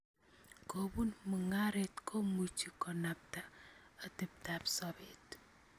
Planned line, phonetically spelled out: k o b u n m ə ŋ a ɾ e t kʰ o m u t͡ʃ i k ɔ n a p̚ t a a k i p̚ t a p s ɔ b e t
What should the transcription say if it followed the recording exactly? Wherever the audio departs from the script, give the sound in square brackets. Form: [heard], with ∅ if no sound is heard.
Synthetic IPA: k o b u n m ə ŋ a ɾ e t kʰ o m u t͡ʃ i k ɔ n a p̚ t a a [t] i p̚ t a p s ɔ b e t